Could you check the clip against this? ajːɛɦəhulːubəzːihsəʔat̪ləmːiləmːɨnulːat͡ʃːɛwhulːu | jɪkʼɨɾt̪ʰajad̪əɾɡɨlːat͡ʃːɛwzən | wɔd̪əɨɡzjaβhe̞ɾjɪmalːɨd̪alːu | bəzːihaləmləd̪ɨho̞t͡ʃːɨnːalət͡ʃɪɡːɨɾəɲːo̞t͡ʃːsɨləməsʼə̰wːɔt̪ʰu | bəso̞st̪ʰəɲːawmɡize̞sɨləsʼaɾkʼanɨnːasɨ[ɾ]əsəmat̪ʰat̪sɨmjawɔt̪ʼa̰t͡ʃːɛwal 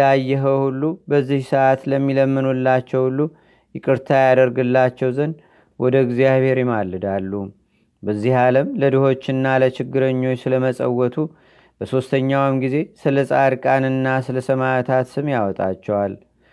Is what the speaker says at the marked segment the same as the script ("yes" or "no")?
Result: no